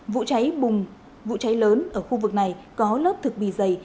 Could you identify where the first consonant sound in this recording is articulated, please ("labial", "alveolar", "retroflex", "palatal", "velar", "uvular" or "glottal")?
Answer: labial